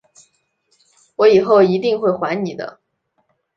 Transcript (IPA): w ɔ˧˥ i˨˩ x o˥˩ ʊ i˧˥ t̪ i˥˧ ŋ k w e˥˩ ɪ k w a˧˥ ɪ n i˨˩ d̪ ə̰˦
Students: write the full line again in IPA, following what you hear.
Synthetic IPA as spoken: w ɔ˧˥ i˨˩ x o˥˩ ʊ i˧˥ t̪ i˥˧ ŋ x w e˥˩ ɪ x w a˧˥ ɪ n i˨˩ d̪ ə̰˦